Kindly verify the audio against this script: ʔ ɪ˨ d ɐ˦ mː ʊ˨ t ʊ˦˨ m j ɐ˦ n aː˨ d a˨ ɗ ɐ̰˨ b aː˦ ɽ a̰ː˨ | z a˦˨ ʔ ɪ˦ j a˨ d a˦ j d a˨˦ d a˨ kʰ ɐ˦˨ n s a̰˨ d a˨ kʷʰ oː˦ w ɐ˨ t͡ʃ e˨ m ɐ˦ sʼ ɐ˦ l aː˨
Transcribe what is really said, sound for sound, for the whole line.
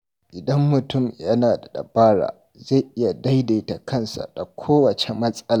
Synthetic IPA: ʔ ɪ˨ d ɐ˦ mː ʊ˨ t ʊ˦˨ m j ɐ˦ n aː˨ d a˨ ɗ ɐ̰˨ b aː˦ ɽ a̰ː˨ | z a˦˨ ʔ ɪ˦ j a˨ d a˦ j d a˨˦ t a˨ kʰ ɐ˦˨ n s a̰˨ d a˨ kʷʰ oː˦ w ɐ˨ t͡ʃ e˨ m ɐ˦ sʼ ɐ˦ l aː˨